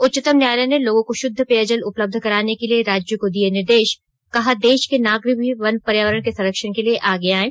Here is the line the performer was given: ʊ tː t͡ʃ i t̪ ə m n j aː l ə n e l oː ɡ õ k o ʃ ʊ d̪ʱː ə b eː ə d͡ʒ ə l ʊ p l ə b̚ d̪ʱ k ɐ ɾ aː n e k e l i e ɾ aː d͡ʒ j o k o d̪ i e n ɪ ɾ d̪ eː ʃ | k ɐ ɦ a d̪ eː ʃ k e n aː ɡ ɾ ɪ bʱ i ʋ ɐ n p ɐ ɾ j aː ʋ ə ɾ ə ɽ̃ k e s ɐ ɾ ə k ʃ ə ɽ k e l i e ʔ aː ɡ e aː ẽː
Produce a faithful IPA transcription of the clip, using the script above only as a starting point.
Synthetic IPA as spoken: ʊ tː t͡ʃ ɪ t̪ ə m n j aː l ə n e l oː ɡ õ k o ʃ ʊ d̪ʱː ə p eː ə d͡ʒ ə l ʊ p l ə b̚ d̪ʱ k ɐ ɾ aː n e k e l i e ɾ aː d͡ʒ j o k o d̪ i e n ɪ ɾ d̪ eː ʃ | k ɐ ɦ a d̪ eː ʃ k e n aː ɡ ɾ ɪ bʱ i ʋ ɐ n p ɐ ɾ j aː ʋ ə ɾ ə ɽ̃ k e s ɐ ɾ ə k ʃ ə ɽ k e l i e ʔ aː ɡ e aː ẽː